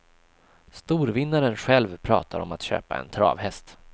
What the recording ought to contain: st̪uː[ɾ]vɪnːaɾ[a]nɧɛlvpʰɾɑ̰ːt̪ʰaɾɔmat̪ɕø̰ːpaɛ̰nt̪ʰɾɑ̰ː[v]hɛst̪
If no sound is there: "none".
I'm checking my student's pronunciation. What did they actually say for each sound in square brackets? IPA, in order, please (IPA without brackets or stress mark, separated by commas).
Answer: ɾ, ə, v